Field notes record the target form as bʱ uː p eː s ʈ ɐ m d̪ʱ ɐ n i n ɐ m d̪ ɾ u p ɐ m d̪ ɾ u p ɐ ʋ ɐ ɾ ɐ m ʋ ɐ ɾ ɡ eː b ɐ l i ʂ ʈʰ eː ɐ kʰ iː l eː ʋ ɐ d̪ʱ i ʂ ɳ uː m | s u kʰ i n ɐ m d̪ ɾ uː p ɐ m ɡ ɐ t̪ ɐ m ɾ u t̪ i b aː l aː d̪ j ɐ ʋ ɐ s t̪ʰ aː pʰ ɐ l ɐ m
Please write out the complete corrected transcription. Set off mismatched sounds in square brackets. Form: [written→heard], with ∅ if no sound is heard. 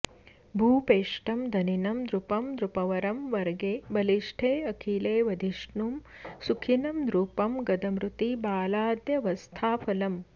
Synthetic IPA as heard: bʱ uː p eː [s→ʂ] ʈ ɐ m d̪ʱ ɐ n i n ɐ m d̪ ɾ u p ɐ m d̪ ɾ u p ɐ ʋ ɐ ɾ ɐ m ʋ ɐ ɾ ɡ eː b ɐ l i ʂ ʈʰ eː ɐ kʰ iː l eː ʋ ɐ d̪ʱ i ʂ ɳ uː m | s u kʰ i n ɐ m d̪ ɾ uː p ɐ m ɡ ɐ [t̪→d̪] ɐ m ɾ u t̪ i b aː l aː d̪ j ɐ ʋ ɐ s t̪ʰ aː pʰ ɐ l ɐ m